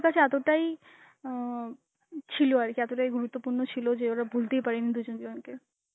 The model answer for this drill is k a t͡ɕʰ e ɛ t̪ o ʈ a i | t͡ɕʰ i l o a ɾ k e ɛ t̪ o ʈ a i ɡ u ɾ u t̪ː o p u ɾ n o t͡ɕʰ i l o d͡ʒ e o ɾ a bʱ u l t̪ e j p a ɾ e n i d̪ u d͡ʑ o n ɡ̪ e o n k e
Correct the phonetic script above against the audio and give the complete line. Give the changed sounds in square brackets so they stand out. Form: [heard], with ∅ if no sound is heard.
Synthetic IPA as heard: k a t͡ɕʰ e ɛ t̪ o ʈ a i | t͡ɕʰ i l o a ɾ k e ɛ t̪ o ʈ a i ɡ u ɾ u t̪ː o p u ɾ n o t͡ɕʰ i l o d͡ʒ e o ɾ a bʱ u l t̪ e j p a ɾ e n i d̪ u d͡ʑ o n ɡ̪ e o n k e